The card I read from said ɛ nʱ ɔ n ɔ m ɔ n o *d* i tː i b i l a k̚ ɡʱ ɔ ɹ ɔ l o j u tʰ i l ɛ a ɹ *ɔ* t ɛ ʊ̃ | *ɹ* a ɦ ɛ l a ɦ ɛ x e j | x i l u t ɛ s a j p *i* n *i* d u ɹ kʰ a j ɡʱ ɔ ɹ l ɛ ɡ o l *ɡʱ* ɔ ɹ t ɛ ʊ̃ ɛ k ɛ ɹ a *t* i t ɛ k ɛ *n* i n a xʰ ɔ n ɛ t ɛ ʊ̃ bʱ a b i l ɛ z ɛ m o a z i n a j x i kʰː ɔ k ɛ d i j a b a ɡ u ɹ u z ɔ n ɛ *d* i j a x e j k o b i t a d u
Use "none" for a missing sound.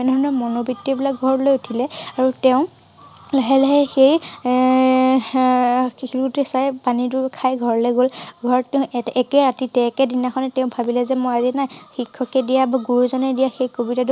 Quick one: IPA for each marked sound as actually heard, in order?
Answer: b, u, l, a, i, ɡʱ, t, d, d

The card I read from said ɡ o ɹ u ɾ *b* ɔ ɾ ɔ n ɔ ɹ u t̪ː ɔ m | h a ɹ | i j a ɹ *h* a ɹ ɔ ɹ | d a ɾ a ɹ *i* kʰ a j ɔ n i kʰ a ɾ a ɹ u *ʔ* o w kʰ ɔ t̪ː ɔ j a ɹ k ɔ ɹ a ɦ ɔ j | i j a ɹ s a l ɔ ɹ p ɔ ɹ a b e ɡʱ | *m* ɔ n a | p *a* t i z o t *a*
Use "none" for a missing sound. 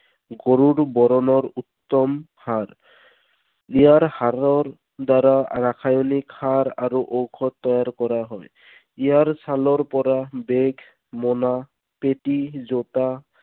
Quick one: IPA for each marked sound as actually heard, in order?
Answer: b, h, a, ʔ, m, e, a

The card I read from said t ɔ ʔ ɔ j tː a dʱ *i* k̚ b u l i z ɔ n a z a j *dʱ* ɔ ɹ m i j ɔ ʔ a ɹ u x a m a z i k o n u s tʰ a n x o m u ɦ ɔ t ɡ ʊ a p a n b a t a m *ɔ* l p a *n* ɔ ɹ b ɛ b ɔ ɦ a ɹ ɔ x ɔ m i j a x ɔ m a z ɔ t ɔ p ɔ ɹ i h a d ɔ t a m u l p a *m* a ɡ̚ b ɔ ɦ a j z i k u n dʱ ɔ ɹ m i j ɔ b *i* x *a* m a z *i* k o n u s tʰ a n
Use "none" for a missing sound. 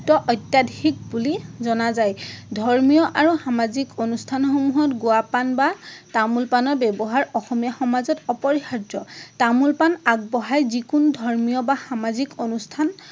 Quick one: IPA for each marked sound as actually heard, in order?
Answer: i, dʱ, u, n, n, a, a, i

